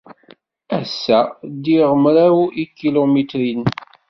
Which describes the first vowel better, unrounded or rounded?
unrounded